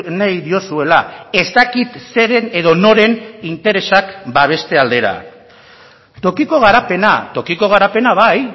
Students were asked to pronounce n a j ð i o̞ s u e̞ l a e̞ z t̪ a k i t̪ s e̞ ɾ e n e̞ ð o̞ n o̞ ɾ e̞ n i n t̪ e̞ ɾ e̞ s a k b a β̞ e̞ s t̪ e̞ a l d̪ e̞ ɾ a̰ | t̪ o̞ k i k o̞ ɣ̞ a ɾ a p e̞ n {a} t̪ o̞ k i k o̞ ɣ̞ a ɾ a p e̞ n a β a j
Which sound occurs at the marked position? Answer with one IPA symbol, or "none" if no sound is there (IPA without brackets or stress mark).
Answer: a